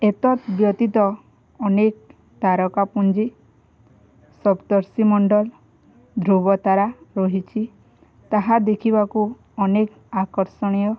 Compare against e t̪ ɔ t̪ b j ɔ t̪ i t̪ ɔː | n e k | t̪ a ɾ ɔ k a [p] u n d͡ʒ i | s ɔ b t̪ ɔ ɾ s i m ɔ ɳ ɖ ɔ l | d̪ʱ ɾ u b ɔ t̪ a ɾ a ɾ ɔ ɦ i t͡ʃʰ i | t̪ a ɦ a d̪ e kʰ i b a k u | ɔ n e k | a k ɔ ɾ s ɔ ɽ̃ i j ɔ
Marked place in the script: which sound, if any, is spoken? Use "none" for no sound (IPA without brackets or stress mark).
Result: p